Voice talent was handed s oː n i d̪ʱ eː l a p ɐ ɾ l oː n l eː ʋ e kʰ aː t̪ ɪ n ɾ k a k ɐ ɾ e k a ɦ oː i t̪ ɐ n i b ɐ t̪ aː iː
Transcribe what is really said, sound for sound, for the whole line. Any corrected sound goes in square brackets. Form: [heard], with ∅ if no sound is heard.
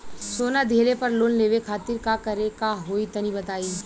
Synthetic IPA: s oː n [a] d̪ʱ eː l [e] p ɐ ɾ l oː n l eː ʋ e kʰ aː t̪ ɪ [∅] ɾ k a k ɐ ɾ e k a ɦ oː i t̪ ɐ n i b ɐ t̪ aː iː